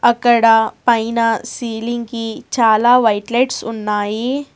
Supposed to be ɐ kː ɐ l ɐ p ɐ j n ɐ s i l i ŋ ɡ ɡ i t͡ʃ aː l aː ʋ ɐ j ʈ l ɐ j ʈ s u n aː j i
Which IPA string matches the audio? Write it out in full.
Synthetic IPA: ɐ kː ɐ ɽ ɐ p ɐ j n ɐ s iː l i ŋ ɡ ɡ i t͡ʃ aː l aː ʋ ɐ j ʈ l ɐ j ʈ s u nː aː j i